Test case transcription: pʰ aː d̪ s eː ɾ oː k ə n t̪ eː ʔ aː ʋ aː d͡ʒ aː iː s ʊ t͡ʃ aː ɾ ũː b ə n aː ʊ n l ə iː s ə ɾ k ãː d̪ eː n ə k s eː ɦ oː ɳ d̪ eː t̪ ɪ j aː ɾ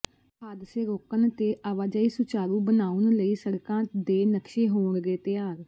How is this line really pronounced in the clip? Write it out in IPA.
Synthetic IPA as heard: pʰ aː d̪ s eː ɾ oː k ə n t̪ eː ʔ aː ʋ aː d͡ʒ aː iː s ʊ t͡ʃ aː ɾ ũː b ə n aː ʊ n l ə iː s ə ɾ k ãː d̪ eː n ə k ʃ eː ɦ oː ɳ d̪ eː t̪ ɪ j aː ɾ